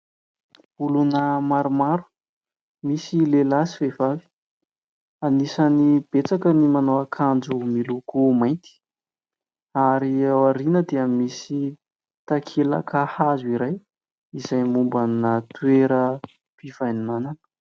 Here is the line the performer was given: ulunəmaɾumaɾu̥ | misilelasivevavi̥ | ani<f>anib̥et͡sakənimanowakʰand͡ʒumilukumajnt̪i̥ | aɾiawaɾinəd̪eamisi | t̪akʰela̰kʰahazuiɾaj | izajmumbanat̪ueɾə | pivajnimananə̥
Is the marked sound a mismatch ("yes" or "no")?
yes